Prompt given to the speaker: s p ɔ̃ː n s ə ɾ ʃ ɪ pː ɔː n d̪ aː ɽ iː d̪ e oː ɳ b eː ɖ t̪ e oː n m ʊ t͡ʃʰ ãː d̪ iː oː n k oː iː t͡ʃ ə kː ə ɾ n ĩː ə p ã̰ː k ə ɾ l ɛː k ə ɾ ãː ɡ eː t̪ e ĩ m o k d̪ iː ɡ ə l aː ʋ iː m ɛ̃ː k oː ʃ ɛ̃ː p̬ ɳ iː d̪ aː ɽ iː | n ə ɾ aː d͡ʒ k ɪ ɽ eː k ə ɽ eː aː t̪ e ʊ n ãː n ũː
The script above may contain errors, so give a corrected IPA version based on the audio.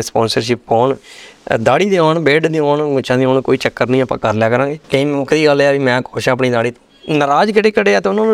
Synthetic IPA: s p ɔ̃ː n s ə ɾ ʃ ɪ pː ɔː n d̪ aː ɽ iː d̪ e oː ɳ b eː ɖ d̪ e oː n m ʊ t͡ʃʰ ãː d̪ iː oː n k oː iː t͡ʃ ə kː ə ɾ n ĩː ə p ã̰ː k ə ɾ l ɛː k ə ɾ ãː ɡ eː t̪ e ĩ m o k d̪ iː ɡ ə l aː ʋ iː m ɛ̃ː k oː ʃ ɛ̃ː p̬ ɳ iː d̪ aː ɽ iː | n ə ɾ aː d͡ʒ k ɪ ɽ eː k ə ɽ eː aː t̪ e ʊ n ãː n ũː